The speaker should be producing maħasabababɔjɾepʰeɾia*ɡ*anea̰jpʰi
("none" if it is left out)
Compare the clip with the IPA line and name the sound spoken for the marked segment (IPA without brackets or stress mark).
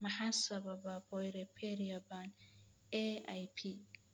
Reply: b